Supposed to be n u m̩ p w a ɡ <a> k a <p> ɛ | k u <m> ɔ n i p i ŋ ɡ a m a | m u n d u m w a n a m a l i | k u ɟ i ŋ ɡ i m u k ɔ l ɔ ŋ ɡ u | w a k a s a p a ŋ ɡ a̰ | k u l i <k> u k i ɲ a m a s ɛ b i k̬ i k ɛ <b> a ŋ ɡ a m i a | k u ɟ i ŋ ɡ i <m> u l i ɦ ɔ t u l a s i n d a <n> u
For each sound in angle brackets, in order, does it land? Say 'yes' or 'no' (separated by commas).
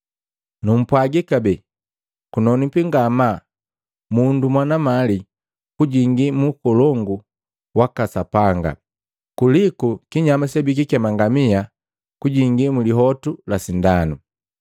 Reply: no, no, no, yes, no, yes, yes